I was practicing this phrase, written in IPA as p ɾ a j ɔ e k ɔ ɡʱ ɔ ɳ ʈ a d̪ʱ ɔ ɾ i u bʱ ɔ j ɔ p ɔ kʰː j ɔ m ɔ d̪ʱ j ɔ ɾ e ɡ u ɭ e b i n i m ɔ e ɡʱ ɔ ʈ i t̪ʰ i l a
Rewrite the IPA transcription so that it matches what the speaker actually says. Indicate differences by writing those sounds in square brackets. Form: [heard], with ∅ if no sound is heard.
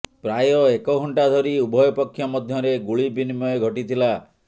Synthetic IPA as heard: p ɾ a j ɔ e k ɔ ɡʱ ɔ ɳ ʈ a d̪ʱ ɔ ɾ i u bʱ ɔ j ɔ p ɔ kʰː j ɔ m ɔ d̪ʱ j ɔ ɾ e ɡ u ɭ [i] b i n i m ɔ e ɡʱ ɔ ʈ i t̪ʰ i l a